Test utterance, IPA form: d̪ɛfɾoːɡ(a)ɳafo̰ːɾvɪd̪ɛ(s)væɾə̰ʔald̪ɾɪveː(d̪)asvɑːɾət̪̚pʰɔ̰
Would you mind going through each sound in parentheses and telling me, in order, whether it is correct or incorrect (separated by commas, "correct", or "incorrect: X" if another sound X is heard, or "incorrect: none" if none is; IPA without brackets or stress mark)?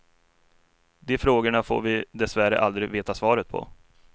incorrect: ə, correct, incorrect: t̪